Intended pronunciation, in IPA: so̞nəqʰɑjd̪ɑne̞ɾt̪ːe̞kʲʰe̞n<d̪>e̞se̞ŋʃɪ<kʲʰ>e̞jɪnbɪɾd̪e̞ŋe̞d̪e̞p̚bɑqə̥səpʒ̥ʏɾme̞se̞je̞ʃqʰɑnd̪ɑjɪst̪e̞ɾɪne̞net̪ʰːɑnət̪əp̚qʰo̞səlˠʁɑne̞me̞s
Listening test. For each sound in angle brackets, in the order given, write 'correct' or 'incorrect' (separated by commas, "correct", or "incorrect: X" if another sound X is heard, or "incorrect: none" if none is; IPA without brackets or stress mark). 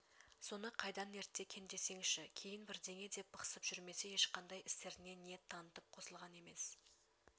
correct, correct